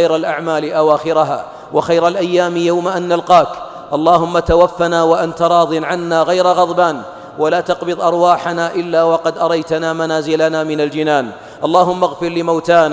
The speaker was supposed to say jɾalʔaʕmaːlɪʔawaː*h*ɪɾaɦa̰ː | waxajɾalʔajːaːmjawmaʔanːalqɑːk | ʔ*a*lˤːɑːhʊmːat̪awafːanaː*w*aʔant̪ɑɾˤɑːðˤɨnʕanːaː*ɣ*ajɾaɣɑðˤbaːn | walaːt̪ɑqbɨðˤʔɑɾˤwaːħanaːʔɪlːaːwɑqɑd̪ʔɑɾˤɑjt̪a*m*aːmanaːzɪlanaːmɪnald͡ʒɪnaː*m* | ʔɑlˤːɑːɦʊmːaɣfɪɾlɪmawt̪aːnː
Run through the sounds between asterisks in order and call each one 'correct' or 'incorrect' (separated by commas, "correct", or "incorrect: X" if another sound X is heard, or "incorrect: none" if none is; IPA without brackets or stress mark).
incorrect: x, incorrect: ɑ, correct, correct, incorrect: n, incorrect: n